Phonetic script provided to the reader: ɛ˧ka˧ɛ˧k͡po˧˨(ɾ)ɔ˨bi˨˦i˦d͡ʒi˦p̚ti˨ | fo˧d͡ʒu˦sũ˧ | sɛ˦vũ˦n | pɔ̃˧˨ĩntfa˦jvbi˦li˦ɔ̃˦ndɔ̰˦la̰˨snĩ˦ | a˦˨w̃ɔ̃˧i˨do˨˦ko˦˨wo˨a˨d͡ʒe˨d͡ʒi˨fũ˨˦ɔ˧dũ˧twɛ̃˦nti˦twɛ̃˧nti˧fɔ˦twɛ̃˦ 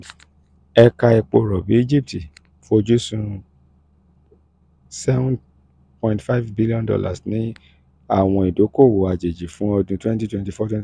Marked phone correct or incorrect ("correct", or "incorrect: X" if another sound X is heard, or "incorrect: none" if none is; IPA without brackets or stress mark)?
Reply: correct